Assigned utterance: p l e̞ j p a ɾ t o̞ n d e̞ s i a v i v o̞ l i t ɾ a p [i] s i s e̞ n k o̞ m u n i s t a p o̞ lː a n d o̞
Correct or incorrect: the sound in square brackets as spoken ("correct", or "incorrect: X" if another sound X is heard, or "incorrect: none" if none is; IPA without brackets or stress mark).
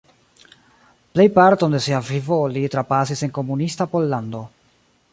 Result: incorrect: a